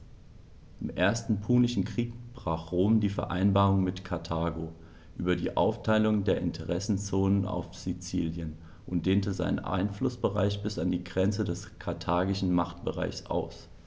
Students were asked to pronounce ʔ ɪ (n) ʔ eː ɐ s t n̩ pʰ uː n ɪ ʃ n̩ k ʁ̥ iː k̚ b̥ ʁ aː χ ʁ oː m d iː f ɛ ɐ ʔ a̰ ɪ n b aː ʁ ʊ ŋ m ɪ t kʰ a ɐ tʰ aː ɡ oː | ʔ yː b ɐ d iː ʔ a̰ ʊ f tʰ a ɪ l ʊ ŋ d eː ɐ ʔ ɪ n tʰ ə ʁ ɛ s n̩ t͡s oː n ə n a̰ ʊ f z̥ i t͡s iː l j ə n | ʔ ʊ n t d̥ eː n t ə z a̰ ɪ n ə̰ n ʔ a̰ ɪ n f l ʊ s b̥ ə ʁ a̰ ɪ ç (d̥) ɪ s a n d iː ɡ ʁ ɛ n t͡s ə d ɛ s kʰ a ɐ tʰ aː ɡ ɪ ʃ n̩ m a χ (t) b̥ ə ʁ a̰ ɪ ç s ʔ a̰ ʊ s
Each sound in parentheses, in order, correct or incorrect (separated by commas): incorrect, incorrect, correct